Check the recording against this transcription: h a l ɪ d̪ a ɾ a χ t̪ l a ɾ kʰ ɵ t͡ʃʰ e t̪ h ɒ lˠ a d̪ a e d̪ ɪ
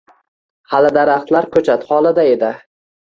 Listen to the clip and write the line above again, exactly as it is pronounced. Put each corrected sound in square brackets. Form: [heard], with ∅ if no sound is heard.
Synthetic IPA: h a l ɪ d̪ a ɾ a χ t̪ l a ɾ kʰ ɵ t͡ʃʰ [a] t̪ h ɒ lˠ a d̪ a e d̪ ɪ

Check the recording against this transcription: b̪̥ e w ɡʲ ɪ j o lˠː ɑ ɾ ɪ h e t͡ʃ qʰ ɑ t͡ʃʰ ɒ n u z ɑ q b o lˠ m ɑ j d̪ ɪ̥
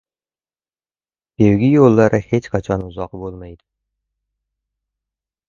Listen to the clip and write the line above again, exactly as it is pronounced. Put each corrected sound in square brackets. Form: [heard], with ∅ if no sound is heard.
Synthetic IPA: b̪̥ e w ɡʲ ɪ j o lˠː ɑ ɾ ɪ h e t͡ʃ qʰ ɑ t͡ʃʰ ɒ n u z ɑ q b o lˠ m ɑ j d̪ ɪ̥

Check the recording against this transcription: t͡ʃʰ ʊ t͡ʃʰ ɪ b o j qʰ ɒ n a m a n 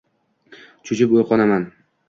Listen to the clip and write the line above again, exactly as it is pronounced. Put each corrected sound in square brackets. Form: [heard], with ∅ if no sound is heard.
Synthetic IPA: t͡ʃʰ ʊ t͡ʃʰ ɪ [p] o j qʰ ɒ n a m a n

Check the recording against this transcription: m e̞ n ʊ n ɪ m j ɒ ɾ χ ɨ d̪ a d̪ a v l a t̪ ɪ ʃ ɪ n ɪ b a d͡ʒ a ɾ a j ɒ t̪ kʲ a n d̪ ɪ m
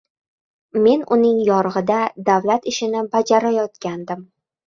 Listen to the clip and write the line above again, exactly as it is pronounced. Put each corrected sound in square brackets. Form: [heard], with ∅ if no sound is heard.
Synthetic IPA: m e̞ n ʊ n ɪ [ŋ] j ɒ ɾ [ʁ] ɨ d̪ a d̪ a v l a t̪ ɪ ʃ ɪ n ɪ b a d͡ʒ a ɾ a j ɒ t̪ kʲ a n d̪ ɪ m

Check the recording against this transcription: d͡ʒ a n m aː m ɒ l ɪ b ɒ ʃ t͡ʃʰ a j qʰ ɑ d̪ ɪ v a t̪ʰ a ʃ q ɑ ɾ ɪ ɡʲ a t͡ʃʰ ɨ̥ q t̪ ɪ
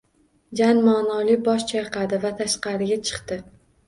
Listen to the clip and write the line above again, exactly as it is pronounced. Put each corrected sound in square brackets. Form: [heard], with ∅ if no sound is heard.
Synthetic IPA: d͡ʒ a n m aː [n] ɒ l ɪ b ɒ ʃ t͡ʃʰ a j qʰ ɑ d̪ ɪ v a t̪ʰ a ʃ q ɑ ɾ ɪ ɡʲ a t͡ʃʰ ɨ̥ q t̪ ɪ

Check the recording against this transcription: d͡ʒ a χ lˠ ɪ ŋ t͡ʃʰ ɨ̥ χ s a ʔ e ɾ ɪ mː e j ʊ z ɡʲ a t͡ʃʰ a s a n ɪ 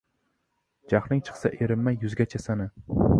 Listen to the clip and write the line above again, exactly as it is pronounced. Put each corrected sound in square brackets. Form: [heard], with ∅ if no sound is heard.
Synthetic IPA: d͡ʒ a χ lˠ ɪ ŋ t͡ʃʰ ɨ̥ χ s a ʔ e ɾ ɪ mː [a] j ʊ z ɡʲ a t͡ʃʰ a s a n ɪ

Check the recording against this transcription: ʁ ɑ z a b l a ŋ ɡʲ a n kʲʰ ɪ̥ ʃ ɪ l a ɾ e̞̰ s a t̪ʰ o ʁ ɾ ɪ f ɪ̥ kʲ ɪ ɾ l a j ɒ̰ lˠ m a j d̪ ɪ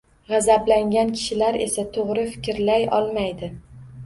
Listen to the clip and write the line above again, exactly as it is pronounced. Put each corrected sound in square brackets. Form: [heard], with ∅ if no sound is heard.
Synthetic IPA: ʁ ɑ z a b l a ŋ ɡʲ a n kʲʰ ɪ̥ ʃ ɪ l a ɾ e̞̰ s a t̪ʰ o ʁ ɾ ɪ f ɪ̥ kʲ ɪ ɾ l a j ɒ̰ lˠ m a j d̪ ɪ

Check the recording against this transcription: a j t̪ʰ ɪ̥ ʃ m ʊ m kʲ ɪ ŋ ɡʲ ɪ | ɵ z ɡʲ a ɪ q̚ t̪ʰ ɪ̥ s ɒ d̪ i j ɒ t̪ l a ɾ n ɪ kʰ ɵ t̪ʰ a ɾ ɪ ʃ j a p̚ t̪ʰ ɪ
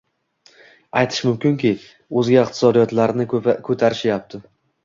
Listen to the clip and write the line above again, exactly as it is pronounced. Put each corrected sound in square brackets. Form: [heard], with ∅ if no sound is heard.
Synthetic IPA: a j t̪ʰ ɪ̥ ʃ m ʊ m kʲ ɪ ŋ [kʲ] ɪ | ɵ z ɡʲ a ɪ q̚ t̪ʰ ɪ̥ s ɒ d̪ i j ɒ t̪ l a ɾ n ɪ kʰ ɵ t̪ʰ a ɾ ɪ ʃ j a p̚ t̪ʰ ɪ

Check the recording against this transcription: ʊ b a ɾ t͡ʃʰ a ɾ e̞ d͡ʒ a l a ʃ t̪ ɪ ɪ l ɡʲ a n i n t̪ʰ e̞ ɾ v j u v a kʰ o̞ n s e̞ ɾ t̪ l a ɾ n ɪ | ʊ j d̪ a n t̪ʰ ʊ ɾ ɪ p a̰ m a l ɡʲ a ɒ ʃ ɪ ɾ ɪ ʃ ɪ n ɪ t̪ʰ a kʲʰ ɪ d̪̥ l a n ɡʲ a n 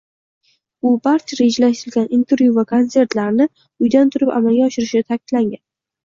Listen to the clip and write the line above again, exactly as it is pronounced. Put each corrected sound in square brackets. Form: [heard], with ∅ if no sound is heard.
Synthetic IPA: ʊ b a ɾ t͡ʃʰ a ɾ e̞ d͡ʒ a l a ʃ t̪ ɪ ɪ l ɡʲ a n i n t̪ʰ e̞ ɾ v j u v a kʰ o̞ n s e̞ ɾ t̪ l a ɾ n ɪ | ʊ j d̪ a n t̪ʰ ʊ ɾ ɪ p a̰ m a l ɡʲ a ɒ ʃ ɪ ɾ ɪ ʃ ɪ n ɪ t̪ʰ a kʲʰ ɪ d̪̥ l a [ŋ] ɡʲ a n

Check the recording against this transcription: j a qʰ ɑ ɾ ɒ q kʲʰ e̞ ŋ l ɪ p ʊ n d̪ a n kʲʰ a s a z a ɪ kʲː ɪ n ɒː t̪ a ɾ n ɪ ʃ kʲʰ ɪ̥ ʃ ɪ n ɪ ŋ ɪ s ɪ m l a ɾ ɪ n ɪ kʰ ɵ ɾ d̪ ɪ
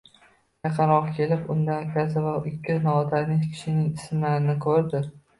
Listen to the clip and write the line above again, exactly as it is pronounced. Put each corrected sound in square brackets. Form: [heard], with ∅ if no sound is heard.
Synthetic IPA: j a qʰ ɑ ɾ ɒ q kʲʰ e̞ [∅] l ɪ p ʊ n d̪ a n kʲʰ a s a [v] a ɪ kʲː ɪ n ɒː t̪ a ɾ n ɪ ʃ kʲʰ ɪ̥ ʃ ɪ n ɪ ŋ ɪ s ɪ m l a ɾ ɪ n ɪ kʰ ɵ ɾ d̪ ɪ

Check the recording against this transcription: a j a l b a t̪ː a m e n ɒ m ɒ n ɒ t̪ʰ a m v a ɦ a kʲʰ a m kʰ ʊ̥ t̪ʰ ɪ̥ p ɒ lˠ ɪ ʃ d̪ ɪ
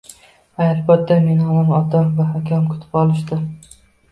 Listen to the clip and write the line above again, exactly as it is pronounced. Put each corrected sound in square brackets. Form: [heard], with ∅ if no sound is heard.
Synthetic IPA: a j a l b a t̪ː a m e n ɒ m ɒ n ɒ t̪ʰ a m v a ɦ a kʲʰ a m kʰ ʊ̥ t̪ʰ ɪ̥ p ɒ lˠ ɪ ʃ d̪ ɪ

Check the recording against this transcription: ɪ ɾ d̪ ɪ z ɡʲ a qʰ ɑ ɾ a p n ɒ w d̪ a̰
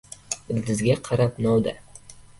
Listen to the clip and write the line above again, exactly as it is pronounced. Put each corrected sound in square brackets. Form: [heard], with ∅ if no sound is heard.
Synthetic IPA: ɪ [l] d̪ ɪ z ɡʲ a qʰ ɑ ɾ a p n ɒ w d̪ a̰

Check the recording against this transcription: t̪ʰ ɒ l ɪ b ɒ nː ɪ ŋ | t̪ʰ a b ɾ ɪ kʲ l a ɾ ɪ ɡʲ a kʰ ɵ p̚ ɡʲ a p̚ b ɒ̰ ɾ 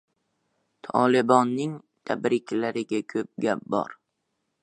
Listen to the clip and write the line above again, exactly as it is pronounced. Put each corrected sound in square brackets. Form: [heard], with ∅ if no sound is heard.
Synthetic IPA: t̪ʰ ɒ l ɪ b ɒ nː ɪ ŋ | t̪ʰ a b ɾ ɪ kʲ l a ɾ ɪ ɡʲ a kʰ ɵ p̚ ɡʲ a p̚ b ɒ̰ ɾ

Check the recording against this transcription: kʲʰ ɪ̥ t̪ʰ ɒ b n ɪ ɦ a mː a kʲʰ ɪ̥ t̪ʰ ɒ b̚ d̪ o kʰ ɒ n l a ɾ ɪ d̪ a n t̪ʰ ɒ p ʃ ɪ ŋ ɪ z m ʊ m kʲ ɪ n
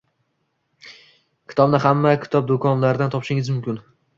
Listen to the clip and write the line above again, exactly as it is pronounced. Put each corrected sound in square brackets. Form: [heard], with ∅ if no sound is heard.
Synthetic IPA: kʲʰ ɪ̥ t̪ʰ ɒ b n ɪ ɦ a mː a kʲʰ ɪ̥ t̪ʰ ɒ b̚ d̪ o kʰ ɒ n l a ɾ ɪ d̪ a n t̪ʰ ɒ p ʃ ɪ ŋ ɪ z m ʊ m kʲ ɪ n

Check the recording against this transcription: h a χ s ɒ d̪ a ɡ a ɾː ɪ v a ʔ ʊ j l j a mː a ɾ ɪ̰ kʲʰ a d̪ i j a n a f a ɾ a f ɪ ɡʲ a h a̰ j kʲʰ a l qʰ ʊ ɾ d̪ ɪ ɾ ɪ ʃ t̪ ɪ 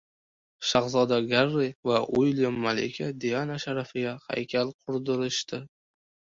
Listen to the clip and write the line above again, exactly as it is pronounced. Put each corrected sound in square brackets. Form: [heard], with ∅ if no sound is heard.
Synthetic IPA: [ʃ] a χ [z] ɒ d̪ a ɡ a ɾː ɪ v a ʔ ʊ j l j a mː a [l] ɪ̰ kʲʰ a d̪ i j a n a [ʃ] a ɾ a f ɪ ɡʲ a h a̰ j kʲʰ a l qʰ ʊ ɾ d̪ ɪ ɾ ɪ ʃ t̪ ɪ

